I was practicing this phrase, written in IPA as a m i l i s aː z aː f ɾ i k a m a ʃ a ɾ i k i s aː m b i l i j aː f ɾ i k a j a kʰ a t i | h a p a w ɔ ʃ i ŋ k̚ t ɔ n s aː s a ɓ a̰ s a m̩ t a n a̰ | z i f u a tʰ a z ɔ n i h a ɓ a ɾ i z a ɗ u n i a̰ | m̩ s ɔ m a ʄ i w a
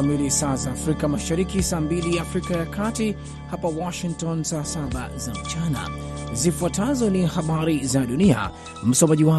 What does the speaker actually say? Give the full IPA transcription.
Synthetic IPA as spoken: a m i l i s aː z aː f ɾ i k a m a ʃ a ɾ i k i s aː m b i l i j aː f ɾ i k a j a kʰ a t i | h a p a w ɔ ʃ i ŋ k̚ t ɔ n s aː s a ɓ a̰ z a m̩ t͡ʃ a n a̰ | z i f u a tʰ a z ɔ n i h a ɓ a ɾ i z a ɗ u n i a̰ | m̩ s ɔ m a ʄ i w a